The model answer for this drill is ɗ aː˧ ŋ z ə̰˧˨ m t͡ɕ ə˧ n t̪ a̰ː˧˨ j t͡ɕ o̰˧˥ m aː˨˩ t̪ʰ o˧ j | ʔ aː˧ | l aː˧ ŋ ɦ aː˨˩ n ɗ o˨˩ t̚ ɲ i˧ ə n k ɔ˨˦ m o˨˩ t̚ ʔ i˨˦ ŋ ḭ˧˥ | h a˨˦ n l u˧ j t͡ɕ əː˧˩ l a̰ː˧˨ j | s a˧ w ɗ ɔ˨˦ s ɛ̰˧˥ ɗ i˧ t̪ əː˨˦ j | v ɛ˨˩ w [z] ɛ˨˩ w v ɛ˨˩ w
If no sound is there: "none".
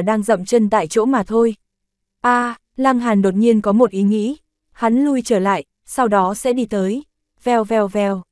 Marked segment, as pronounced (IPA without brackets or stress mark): v